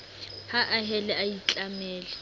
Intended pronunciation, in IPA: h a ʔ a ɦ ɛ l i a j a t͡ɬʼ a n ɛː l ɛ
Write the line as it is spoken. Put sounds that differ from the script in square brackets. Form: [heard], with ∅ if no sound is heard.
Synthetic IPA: h a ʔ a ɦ ɛ l [ɛ] a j [i] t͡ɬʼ a [m] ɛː l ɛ